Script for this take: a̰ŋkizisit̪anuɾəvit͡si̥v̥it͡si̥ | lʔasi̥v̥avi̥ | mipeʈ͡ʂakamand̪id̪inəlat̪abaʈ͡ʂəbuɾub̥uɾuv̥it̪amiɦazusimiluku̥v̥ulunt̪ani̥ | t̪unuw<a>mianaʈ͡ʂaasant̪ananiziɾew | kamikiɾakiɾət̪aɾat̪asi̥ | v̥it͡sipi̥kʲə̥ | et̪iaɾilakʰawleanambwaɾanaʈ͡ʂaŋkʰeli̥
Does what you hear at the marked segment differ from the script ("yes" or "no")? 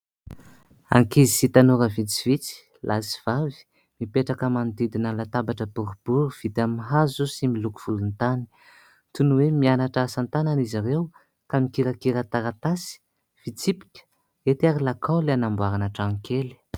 yes